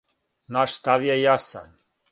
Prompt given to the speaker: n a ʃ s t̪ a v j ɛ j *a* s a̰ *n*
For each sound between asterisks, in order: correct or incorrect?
correct, correct

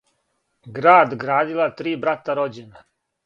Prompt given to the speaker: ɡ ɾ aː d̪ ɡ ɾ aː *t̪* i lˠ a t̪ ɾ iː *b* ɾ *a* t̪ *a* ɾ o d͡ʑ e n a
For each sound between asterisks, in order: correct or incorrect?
incorrect, correct, correct, correct

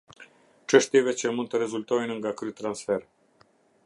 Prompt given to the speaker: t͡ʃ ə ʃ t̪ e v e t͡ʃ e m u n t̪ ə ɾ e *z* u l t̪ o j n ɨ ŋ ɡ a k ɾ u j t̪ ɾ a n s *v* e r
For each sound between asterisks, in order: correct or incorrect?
correct, incorrect

